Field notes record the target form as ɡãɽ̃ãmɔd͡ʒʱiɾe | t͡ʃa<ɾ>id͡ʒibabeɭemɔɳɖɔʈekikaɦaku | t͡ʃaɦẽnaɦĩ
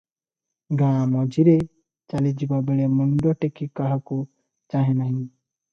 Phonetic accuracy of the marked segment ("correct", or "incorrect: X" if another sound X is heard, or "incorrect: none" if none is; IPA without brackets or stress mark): incorrect: l